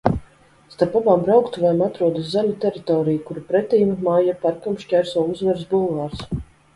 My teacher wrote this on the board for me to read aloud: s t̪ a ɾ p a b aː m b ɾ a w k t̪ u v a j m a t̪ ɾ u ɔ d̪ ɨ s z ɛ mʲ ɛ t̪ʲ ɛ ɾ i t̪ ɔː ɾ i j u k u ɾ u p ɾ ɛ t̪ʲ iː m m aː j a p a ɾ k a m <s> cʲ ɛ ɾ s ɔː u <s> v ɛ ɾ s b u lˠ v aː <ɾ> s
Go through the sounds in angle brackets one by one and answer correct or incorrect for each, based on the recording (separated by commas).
incorrect, incorrect, correct